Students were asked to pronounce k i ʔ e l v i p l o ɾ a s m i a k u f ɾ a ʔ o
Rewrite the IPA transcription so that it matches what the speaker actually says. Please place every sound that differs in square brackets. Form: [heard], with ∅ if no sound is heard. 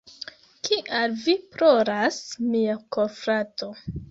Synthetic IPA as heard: k i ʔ [a] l v i p [ɾ] o ɾ a s m i a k [o] f ɾ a [t] o